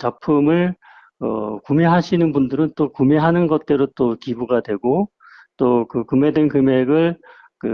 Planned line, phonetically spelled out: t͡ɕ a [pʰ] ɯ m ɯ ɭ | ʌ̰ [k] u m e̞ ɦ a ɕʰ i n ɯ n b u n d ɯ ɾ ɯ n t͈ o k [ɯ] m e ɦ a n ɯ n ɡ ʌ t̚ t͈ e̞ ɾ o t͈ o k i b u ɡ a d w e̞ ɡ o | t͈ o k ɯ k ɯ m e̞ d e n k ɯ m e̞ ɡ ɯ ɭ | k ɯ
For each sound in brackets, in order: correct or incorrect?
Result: correct, correct, incorrect: u

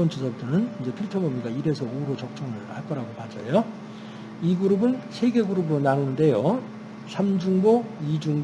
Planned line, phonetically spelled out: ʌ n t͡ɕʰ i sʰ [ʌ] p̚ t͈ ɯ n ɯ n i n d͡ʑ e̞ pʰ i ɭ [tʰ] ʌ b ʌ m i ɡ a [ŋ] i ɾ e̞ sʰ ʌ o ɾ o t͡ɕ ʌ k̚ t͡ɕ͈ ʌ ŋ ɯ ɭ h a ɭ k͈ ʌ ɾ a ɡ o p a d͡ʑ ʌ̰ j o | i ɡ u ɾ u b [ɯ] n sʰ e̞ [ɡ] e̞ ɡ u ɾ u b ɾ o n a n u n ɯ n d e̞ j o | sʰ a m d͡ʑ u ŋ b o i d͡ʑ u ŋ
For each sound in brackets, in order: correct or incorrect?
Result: correct, correct, incorrect: none, correct, correct

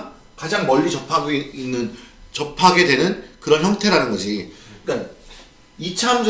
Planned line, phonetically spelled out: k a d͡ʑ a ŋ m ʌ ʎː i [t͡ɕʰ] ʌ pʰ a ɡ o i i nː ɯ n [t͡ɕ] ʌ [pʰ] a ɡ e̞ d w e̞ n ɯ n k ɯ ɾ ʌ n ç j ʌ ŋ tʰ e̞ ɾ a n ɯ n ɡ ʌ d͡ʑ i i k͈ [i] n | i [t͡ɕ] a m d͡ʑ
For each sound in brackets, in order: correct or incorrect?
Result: incorrect: t͡ɕ, correct, correct, incorrect: a, incorrect: t͡ɕʰ

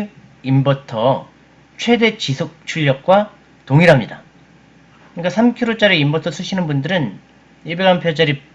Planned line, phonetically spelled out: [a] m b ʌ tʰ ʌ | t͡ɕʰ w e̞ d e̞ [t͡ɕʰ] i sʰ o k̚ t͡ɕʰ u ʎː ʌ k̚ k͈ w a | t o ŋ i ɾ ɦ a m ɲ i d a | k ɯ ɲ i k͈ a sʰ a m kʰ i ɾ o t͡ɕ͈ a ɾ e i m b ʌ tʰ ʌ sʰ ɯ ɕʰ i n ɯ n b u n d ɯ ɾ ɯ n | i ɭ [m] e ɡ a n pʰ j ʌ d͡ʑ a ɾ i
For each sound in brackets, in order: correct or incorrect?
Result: incorrect: i, incorrect: t͡ɕ, incorrect: b

